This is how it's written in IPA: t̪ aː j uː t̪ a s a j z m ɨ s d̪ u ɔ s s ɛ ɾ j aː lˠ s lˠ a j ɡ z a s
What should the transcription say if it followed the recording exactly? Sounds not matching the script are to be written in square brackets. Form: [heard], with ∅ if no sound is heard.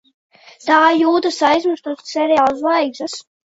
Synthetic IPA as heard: t̪ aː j uː t̪ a s a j z m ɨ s [t̪] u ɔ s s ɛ ɾ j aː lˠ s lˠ a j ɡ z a s